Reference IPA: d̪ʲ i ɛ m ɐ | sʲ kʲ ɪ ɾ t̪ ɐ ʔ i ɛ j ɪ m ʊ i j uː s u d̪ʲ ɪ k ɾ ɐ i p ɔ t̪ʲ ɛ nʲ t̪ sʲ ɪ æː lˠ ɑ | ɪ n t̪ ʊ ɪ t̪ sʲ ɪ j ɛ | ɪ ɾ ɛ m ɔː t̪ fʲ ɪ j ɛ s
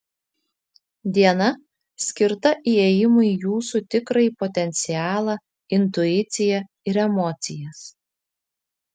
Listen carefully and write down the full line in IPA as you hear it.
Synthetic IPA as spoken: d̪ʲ i ɛ n ɐ | sʲ kʲ ɪ ɾ t̪ ɐ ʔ i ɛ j ɪ m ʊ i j uː s u t̪ʲ ɪ k ɾ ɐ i p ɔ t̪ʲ ɛ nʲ t̪ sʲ ɪ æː lˠ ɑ | ɪ n t̪ ʊ ɪ t̪ sʲ ɪ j ɛ | ɪ ɾ ɛ m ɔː t̪ sʲ ɪ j ɛ s